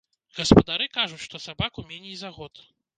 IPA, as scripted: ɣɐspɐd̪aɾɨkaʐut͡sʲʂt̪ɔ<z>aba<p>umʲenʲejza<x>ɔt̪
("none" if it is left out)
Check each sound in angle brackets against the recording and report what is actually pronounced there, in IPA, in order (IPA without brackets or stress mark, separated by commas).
s, k, ɣ